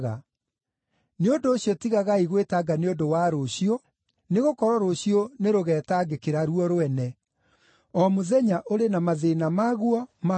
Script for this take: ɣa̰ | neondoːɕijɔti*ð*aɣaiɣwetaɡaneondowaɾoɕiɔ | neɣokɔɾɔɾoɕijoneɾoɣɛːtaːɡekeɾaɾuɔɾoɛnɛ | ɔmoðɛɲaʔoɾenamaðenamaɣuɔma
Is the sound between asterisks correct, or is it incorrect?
incorrect